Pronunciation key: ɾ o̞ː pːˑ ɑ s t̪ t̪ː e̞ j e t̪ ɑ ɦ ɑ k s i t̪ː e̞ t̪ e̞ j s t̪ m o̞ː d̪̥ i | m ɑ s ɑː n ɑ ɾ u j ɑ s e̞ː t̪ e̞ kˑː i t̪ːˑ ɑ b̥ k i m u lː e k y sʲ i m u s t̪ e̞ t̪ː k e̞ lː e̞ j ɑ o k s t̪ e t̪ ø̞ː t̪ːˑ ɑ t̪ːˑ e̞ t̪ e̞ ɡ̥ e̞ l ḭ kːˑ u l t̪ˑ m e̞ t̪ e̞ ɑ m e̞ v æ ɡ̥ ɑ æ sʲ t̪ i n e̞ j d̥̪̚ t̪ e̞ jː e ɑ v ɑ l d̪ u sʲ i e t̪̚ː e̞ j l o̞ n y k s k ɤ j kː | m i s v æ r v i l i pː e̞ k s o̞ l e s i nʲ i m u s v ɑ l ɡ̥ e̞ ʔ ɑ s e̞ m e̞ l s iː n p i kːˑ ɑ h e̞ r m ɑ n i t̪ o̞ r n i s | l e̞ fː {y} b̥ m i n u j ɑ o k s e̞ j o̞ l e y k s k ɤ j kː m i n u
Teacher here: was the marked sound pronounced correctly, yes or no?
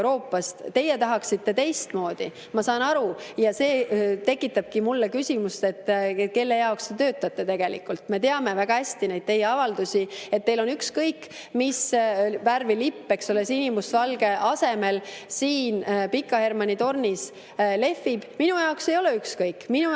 no